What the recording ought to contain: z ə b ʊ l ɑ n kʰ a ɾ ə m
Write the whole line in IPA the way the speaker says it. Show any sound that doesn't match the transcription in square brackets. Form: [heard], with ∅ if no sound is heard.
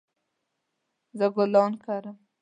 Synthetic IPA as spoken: z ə [ɡ] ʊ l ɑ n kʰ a ɾ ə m